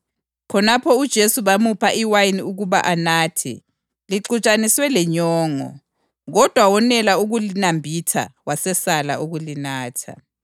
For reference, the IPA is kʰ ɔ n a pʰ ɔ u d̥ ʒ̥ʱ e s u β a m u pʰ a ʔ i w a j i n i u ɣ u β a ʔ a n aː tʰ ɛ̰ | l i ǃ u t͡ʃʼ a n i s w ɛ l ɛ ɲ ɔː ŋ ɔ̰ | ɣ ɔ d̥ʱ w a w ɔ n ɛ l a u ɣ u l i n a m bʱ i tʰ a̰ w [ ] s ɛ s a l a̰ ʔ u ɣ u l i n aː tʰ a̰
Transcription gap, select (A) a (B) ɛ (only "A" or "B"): A